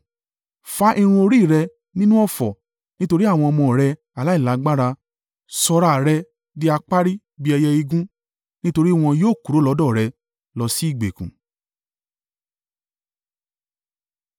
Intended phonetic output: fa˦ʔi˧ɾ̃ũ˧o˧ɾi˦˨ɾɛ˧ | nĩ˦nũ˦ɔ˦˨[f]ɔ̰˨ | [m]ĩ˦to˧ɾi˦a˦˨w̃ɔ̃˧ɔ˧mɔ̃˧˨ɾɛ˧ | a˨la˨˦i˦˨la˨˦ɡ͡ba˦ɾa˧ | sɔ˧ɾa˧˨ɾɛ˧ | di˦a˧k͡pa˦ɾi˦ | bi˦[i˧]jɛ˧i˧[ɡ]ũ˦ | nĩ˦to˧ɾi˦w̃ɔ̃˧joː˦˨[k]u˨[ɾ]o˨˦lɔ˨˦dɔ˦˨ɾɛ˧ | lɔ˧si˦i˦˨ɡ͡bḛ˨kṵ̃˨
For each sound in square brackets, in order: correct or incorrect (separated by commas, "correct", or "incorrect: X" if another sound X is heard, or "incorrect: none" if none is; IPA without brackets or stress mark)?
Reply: correct, incorrect: n, incorrect: ɛ˧, correct, correct, correct